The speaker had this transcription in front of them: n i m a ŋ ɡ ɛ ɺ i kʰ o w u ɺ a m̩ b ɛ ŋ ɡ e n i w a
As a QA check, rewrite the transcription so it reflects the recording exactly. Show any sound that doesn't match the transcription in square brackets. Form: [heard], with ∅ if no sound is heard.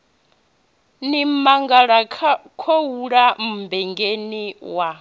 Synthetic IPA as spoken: n i m a ŋ ɡ [a] ɺ [a] kʰ o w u ɺ a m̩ b ɛ ŋ ɡ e n i w a